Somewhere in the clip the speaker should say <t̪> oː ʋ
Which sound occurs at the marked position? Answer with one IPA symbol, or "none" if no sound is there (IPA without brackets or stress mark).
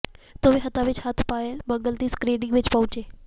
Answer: t̪